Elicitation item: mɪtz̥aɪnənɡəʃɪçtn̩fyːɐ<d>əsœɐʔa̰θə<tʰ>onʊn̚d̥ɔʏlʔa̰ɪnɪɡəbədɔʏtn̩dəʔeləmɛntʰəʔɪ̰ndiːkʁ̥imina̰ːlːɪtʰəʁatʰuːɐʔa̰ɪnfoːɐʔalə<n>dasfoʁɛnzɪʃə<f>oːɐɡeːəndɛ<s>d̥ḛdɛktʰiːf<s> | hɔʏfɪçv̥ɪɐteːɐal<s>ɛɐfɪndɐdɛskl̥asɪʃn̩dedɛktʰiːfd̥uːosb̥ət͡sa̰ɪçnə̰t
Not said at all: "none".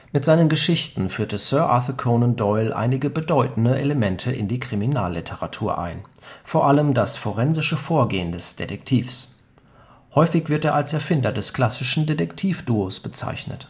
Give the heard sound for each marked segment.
t, kʰ, m, f, s, s, s

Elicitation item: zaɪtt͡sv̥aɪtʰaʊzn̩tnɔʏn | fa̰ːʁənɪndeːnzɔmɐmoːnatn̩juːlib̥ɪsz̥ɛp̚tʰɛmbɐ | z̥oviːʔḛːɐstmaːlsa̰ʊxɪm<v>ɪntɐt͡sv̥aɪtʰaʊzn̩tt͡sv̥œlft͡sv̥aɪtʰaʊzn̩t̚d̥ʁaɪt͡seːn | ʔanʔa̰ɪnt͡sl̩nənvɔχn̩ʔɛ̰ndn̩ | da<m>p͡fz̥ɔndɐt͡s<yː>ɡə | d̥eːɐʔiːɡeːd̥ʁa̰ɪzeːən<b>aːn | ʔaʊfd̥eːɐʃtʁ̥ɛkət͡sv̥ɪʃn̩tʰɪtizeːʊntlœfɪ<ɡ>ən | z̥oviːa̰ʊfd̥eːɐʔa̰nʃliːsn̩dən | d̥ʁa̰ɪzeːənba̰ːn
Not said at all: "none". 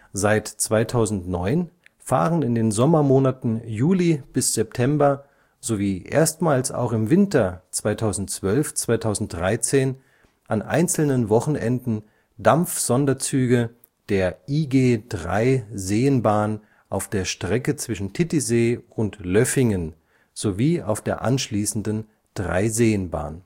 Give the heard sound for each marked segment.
v, m, yː, b, ŋ

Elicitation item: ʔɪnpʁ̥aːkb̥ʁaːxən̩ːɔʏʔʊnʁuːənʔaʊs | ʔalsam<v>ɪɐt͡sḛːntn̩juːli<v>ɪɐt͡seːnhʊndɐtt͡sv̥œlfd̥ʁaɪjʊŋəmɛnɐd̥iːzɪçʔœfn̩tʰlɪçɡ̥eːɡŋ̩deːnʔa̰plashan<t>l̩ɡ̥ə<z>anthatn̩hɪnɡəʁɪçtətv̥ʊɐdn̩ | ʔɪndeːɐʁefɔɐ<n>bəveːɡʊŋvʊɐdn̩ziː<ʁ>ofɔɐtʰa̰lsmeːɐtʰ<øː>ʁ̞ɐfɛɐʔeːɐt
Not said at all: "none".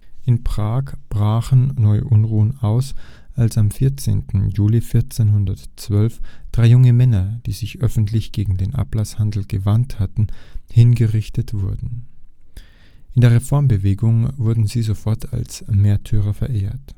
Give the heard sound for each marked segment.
f, f, d, v, m, z, yː

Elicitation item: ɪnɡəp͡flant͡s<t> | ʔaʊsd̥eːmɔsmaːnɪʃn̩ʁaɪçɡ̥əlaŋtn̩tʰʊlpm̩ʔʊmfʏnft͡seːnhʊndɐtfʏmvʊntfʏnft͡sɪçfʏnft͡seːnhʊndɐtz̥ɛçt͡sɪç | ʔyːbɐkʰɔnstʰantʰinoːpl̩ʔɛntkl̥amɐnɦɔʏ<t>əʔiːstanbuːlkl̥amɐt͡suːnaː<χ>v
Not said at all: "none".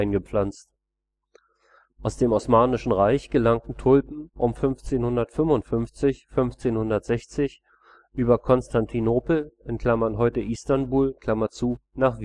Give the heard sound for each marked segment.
t, t, χ

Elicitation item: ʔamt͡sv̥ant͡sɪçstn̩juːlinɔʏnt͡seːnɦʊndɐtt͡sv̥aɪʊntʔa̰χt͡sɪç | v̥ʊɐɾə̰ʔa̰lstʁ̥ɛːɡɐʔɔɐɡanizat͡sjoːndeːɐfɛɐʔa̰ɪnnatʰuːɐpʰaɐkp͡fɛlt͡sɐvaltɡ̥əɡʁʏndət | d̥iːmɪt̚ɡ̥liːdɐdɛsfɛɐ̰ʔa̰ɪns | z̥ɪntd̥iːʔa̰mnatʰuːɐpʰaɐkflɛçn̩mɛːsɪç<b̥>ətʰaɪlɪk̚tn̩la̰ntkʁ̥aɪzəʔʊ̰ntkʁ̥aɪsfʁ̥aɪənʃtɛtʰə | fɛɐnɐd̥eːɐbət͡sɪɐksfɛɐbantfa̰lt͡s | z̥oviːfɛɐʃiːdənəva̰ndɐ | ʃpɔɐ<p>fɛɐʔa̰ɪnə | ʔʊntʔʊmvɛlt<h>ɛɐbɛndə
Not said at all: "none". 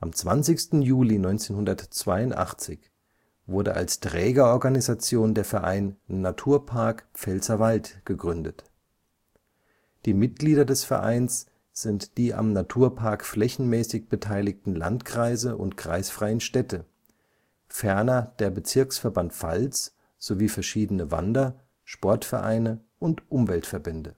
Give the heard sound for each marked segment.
b̥, t, f

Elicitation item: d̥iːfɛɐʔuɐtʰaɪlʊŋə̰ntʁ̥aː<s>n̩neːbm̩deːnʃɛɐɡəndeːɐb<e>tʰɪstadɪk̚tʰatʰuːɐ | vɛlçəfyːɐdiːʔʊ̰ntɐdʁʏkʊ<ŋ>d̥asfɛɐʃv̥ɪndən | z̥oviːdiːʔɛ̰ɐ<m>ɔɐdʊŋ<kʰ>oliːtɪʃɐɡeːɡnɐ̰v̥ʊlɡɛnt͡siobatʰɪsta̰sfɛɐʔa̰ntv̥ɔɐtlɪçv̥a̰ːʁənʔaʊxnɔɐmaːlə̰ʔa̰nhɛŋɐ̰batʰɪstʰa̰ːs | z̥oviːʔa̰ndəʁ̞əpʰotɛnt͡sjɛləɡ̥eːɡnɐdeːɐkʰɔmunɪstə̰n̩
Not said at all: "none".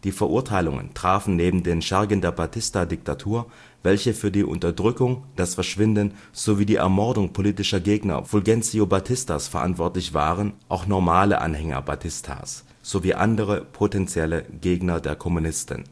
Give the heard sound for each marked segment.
f, a, ŋ, m, pʰ

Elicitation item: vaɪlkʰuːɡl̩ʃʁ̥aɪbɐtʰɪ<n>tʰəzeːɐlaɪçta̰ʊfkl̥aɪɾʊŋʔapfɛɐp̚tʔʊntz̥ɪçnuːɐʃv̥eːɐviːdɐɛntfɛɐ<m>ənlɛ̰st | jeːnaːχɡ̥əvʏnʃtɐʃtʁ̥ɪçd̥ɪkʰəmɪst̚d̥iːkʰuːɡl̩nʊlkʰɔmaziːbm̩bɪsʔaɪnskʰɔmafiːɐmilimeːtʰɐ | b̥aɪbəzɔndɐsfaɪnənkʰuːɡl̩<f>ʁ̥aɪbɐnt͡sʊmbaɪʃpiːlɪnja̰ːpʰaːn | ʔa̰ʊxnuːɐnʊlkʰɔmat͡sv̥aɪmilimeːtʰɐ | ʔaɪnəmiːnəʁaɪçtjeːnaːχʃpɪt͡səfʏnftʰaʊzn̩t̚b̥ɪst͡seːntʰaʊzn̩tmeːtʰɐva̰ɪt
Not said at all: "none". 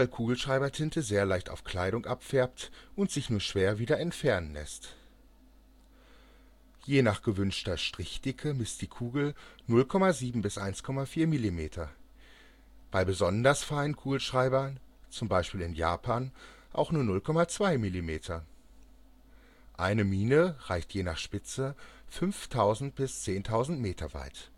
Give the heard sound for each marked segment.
n, n, ʃ

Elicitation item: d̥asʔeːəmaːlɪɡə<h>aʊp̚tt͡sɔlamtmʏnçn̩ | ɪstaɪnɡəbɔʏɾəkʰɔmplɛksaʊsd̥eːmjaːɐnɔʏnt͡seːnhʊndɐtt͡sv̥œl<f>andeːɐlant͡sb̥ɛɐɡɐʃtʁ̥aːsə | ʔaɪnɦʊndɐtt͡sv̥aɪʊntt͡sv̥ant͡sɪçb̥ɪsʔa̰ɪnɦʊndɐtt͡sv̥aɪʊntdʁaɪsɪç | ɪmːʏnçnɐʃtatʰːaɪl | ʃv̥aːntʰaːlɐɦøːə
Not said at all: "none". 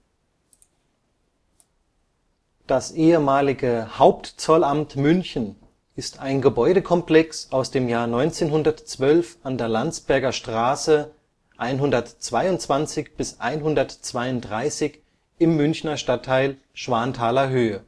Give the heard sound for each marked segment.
h, f

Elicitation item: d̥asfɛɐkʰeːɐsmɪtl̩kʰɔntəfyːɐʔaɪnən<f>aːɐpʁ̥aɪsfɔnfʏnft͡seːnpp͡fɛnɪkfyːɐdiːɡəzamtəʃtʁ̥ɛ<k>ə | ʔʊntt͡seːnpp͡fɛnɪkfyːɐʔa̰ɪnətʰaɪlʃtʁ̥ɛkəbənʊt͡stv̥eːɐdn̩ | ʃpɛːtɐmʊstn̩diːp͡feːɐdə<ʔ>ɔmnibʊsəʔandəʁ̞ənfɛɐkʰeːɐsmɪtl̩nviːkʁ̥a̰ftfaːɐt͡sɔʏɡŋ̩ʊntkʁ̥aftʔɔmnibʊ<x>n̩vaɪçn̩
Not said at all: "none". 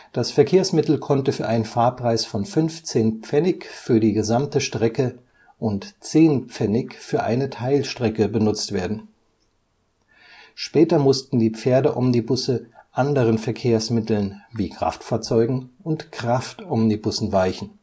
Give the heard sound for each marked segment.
f, k, ʔ, s

